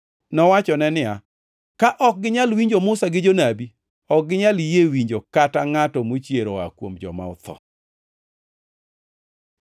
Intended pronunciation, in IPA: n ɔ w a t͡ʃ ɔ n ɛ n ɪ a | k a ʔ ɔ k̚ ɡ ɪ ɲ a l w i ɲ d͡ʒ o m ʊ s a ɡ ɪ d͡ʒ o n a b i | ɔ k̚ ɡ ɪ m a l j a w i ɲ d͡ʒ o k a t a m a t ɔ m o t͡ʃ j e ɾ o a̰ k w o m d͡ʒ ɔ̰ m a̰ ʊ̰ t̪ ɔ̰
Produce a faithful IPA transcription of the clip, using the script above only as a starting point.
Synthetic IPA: n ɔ w a t͡ʃ ɔ n ɛ n ɪ a | k a ʔ ɔ k̚ ɡ ɪ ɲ a l w i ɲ d͡ʒ o m ʊ s a ɡ ɪ d͡ʒ o n a b i | ɔ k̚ ɡ ɪ ɲ a l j e w i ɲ d͡ʒ o k a t a ŋ a t ɔ m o t͡ʃ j e ɾ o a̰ k w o m d͡ʒ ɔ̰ m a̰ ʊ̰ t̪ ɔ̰